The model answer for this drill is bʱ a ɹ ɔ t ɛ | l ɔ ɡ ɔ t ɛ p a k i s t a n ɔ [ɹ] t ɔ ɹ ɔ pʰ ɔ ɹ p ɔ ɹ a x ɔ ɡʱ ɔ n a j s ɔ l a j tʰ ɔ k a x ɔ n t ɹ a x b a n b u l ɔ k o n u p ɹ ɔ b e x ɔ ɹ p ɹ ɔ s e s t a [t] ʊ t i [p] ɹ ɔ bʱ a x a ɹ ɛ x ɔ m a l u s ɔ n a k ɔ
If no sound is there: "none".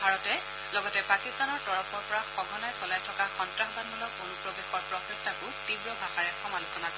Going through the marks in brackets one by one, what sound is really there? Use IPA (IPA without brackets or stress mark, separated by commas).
ɹ, k, b